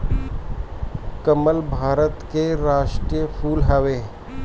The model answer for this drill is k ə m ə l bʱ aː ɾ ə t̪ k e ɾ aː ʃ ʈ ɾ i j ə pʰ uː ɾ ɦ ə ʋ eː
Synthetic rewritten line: k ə m ə l bʱ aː ɾ ə t̪ k e ɾ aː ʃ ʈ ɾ i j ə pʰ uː l ɦ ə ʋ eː